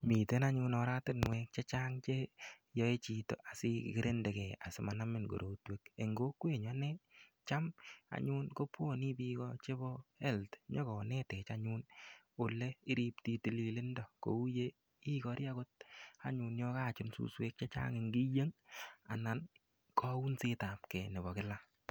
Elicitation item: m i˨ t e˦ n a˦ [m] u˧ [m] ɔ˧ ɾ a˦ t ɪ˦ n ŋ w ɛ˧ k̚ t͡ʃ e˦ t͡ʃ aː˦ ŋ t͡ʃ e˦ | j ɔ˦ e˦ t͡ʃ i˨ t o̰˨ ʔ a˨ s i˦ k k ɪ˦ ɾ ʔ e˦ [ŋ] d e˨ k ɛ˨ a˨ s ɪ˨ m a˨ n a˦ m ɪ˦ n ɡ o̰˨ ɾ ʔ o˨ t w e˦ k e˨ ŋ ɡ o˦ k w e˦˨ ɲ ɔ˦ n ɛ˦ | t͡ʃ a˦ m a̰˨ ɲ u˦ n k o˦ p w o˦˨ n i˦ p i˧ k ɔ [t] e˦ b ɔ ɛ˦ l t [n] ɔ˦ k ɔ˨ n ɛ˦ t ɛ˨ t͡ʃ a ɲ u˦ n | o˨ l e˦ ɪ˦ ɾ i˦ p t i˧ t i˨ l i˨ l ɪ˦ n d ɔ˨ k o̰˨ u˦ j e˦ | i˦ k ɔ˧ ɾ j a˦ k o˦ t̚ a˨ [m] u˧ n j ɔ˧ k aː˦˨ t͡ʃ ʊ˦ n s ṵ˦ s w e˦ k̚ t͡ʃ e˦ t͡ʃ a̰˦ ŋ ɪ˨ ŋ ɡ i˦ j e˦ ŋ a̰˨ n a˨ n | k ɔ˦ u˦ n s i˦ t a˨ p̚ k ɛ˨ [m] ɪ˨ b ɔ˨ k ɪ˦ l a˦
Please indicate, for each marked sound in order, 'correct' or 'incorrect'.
incorrect: ɲ, incorrect: n, incorrect: n, incorrect: t͡ʃ, incorrect: ɲ, incorrect: ɲ, incorrect: n

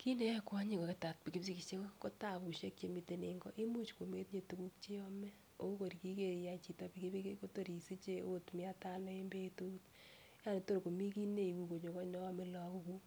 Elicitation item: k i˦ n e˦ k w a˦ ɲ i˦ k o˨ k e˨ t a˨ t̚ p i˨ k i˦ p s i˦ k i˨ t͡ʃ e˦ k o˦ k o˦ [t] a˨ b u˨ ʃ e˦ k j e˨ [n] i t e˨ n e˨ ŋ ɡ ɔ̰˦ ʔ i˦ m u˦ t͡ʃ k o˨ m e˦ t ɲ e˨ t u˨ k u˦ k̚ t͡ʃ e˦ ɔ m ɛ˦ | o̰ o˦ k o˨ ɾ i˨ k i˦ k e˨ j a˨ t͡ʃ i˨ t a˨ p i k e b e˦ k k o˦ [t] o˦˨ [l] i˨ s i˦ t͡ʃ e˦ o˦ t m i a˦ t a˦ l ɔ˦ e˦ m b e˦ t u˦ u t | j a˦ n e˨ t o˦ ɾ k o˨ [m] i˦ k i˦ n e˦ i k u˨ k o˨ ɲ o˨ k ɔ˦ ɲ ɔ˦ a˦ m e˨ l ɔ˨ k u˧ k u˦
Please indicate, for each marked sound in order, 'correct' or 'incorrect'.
correct, incorrect: m, correct, incorrect: ɾ, correct

